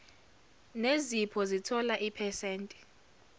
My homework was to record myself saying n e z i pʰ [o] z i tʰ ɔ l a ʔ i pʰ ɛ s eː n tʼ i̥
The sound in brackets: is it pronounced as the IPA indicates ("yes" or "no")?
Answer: no